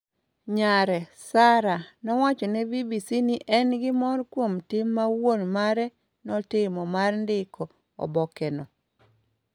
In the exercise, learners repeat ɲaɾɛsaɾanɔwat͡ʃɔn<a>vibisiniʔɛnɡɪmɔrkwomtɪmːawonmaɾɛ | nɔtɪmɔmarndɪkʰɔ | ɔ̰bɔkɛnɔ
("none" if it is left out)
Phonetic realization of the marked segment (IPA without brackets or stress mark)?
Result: ɛ